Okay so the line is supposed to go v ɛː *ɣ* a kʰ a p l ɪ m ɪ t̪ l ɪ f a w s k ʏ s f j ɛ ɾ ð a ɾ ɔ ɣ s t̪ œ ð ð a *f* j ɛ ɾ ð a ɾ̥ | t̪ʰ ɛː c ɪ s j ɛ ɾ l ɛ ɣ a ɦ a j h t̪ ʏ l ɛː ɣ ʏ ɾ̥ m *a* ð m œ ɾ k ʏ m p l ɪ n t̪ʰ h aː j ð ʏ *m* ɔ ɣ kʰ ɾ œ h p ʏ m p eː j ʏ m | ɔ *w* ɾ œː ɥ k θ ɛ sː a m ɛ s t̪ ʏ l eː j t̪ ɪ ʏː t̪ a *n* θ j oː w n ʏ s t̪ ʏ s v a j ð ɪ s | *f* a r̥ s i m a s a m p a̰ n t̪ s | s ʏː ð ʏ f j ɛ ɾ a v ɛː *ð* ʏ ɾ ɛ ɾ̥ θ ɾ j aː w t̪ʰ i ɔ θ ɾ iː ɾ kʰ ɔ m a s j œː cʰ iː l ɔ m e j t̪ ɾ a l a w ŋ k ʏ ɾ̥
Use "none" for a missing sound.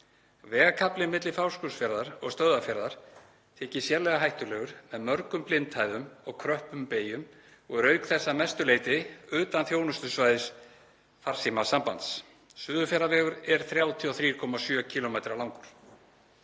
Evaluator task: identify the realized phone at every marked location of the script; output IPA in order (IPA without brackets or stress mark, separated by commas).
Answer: ɣ, f, ɛ, m, ɣ, n, f, ɣ